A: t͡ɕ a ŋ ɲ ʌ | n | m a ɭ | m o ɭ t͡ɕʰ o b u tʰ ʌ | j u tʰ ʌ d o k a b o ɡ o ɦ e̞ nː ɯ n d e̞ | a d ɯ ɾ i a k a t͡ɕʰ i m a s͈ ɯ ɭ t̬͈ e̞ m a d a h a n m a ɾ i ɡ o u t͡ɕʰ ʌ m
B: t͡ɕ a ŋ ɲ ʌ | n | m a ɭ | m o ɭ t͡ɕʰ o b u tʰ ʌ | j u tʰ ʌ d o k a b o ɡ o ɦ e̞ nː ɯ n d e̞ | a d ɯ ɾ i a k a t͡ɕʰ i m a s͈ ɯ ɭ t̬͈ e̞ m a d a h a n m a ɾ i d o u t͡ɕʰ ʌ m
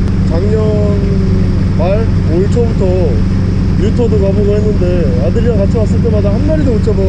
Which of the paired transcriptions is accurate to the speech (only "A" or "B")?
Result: B